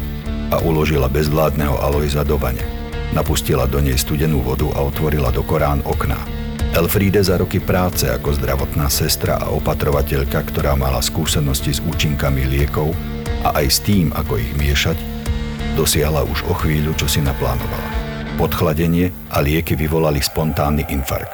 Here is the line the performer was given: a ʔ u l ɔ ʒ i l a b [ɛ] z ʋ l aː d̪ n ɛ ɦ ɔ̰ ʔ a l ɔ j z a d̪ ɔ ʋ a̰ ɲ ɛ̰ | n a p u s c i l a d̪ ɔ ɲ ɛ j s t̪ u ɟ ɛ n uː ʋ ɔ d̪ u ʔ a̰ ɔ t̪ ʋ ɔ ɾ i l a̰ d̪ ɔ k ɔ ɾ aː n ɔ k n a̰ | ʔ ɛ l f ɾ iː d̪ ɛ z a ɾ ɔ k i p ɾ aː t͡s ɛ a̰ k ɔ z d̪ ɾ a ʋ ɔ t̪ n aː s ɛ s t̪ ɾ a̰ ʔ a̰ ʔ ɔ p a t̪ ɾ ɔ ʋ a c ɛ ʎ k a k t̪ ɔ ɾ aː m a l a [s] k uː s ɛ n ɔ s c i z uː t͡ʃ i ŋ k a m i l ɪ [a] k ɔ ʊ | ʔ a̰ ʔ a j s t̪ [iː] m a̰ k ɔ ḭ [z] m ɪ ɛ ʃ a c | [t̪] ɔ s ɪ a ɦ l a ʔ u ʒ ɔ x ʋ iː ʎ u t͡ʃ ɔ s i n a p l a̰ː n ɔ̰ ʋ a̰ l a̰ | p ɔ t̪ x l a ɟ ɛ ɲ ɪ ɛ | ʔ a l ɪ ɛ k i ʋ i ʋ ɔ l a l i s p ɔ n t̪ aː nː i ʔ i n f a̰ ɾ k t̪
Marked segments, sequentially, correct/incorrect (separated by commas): correct, correct, incorrect, correct, incorrect, incorrect